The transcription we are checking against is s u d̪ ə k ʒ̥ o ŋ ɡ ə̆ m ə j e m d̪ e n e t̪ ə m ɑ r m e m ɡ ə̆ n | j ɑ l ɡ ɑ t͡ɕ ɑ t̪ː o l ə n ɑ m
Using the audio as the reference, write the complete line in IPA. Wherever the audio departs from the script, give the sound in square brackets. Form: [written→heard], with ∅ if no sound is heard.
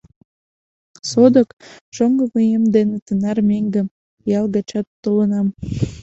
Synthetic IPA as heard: s [u→o] d̪ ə k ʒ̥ o ŋ ɡ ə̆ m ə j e m d̪ e n e t̪ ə [m→n] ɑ r m e [m→ŋ] ɡ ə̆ [n→m] | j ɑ l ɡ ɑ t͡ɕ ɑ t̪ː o l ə n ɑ m

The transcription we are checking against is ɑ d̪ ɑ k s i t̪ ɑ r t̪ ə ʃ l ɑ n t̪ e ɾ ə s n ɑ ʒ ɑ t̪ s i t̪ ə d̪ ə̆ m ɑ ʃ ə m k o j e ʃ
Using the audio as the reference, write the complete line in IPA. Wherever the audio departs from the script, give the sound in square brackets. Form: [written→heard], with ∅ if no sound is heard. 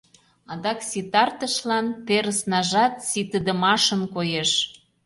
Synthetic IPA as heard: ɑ d̪ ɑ k s i t̪ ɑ r t̪ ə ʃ l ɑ n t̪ e ɾ ə s n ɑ ʒ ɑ t̪ s i t̪ ə d̪ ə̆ m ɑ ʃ ə [m→n] k o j e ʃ

